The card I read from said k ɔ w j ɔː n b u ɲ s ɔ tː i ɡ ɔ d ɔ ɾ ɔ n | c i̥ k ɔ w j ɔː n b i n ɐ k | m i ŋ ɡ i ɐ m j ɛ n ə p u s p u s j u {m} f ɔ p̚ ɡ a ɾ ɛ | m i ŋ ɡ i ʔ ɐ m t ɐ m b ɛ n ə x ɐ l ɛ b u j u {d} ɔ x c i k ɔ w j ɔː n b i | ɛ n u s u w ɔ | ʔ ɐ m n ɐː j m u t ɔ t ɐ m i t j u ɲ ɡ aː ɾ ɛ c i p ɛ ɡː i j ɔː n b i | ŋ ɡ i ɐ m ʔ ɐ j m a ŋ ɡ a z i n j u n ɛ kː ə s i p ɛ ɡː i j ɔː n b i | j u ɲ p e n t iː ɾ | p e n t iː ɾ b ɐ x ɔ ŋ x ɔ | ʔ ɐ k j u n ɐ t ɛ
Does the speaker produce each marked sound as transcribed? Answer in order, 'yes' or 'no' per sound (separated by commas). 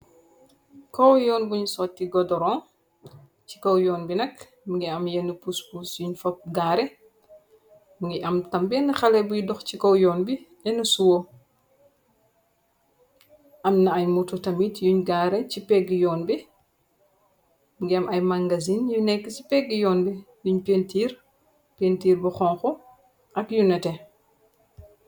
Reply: no, yes